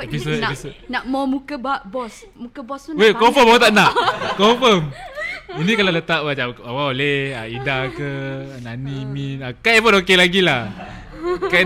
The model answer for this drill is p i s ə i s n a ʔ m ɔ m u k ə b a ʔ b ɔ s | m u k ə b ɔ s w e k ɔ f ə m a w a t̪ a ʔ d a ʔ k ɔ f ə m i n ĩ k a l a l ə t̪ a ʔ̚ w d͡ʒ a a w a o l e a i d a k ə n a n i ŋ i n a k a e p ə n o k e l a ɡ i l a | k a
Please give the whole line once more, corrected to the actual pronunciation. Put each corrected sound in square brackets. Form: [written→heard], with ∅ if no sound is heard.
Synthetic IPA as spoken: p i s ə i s n a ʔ m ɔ m u k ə b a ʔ b ɔ s | m u k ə b ɔ s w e k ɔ f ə m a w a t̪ a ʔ [d→n] a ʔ k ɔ f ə m i n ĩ k a l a l ə t̪ a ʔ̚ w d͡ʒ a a w a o l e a i d a k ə n a n i [ŋ→m] i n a k a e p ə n o k e l a ɡ i l a | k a